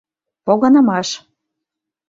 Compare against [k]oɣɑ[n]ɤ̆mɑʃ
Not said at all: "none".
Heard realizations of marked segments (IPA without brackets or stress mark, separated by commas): p, n